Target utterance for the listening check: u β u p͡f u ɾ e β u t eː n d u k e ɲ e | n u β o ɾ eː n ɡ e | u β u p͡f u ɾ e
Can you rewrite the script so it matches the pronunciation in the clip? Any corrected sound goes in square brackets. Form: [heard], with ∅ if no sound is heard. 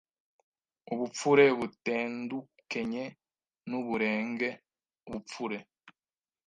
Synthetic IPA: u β u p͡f u ɾ e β u t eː n d u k e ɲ e | n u β [u] ɾ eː [ŋ] ɡ e | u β u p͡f u ɾ e